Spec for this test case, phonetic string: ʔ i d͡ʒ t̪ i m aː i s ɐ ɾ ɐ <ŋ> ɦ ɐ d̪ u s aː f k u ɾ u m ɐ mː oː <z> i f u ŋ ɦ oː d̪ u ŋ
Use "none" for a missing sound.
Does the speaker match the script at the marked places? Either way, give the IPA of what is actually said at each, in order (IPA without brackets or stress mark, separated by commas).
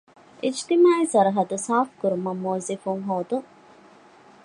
none, z